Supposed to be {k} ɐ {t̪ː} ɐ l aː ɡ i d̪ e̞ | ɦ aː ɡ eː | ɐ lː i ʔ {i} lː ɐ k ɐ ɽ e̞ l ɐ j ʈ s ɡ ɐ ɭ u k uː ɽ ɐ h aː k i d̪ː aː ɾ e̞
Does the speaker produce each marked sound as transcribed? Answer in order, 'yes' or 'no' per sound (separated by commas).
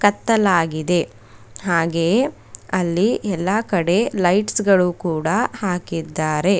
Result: yes, yes, no